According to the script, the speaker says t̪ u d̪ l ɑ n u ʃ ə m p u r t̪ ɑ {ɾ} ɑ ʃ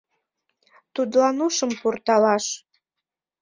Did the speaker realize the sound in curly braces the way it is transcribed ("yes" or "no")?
no